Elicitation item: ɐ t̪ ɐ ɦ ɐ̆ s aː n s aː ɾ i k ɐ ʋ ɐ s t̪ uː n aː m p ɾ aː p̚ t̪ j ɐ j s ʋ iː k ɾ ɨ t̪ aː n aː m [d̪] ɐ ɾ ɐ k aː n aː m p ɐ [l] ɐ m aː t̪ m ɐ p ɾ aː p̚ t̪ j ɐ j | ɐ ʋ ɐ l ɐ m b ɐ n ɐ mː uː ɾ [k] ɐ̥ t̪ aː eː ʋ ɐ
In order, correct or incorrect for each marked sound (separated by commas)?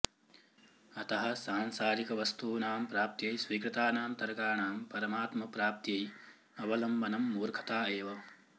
incorrect, incorrect, incorrect